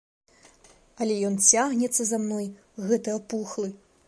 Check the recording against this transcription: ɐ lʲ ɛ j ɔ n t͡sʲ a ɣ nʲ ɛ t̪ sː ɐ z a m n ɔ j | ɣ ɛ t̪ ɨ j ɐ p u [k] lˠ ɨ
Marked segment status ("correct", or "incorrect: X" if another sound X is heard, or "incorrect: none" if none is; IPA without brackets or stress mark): incorrect: x